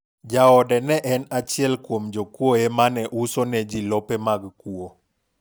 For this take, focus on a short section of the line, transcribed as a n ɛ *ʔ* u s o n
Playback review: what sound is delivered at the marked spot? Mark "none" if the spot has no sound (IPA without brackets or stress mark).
ʔ